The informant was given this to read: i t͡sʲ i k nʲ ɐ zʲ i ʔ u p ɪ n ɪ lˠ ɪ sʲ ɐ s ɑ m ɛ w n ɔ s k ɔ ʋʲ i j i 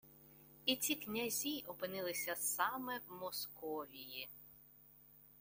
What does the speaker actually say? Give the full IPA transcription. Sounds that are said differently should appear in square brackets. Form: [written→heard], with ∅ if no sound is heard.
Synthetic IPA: i t͡sʲ i k nʲ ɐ zʲ i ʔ [u→ɔ] p ɪ n ɪ lˠ ɪ sʲ ɐ s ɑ m ɛ w [n→m] ɔ s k ɔ ʋʲ i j i